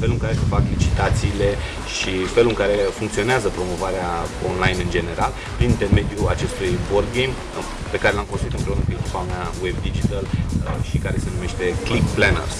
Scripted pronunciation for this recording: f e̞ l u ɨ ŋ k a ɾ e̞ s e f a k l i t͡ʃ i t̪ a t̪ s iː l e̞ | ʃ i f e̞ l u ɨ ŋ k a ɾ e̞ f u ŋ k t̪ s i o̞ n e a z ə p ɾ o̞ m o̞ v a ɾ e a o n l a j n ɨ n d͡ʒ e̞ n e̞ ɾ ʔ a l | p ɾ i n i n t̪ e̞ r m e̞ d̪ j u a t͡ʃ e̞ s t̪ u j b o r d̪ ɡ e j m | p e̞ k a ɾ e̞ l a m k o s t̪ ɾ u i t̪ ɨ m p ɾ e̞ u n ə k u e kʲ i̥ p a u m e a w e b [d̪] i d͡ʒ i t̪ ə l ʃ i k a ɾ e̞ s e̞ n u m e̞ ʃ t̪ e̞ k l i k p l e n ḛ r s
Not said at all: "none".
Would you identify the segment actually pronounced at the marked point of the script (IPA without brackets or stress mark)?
d̪